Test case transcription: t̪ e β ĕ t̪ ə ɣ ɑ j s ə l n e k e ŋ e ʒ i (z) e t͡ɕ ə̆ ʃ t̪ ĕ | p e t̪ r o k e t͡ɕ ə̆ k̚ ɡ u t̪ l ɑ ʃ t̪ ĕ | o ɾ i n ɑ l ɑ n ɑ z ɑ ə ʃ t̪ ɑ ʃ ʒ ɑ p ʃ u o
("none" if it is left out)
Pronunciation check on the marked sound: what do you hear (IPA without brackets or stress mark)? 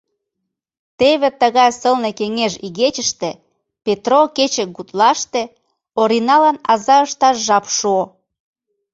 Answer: ɣ